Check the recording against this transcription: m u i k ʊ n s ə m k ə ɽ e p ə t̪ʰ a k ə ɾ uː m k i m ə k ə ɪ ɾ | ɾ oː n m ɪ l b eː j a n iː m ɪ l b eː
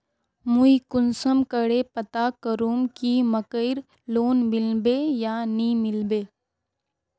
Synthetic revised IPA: m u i k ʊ n s ə m k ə ɽ e p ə t̪ a k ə ɾ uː m k i m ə k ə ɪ ɾ | l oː n m ɪ l b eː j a n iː m ɪ l b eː